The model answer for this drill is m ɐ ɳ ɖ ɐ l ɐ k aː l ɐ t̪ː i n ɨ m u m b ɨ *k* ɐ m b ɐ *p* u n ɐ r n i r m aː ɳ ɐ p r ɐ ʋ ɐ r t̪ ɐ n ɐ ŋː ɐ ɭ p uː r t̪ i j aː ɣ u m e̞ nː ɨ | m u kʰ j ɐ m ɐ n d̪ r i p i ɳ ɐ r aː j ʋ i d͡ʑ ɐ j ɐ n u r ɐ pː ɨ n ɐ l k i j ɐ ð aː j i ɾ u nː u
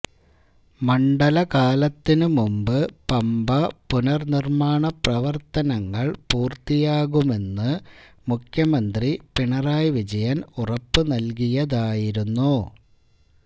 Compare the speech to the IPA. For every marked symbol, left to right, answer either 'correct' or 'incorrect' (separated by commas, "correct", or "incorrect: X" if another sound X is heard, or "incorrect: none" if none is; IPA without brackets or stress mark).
incorrect: p, correct